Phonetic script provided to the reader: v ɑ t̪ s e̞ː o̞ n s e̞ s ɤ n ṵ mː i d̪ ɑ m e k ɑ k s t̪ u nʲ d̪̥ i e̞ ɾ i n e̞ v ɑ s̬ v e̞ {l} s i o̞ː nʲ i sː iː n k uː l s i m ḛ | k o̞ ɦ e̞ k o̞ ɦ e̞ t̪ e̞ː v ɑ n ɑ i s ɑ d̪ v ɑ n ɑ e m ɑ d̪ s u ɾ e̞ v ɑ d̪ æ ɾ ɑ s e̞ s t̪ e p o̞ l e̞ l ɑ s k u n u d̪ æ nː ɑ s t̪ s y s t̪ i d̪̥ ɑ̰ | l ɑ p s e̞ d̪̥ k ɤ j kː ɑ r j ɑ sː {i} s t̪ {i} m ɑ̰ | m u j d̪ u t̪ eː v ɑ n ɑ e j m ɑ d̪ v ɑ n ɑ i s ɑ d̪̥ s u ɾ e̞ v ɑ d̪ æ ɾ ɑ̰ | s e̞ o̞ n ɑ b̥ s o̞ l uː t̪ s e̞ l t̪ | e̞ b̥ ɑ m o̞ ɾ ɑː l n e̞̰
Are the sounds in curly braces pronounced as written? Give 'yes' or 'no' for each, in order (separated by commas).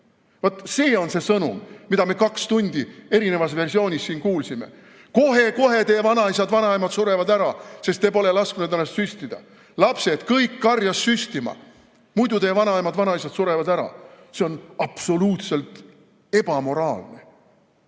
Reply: no, no, yes